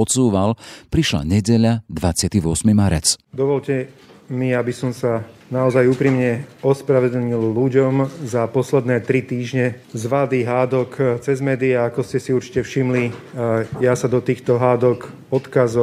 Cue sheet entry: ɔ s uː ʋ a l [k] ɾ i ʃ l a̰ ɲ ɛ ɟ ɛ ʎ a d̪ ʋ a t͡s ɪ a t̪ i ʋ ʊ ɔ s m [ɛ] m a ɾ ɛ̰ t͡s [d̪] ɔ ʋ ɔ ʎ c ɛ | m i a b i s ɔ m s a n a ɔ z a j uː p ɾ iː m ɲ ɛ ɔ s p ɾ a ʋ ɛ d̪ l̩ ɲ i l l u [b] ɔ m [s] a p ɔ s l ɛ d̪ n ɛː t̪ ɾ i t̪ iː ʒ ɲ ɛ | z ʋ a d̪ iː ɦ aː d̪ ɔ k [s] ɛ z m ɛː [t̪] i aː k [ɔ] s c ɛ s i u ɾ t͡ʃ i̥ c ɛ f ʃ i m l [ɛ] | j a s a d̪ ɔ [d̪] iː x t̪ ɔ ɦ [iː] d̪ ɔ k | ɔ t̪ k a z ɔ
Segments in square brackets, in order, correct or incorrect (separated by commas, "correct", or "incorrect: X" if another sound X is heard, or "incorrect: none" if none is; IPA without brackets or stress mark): incorrect: p, incorrect: i, correct, incorrect: ɟ, incorrect: z, incorrect: t͡s, incorrect: d̪, correct, incorrect: i, incorrect: t̪, incorrect: aː